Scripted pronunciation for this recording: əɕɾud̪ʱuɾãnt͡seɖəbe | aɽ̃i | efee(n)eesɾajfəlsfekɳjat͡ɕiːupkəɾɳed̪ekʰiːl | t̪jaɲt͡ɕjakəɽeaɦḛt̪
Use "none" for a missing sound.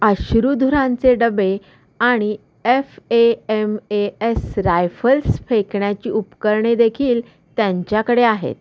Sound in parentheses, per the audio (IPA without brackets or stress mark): m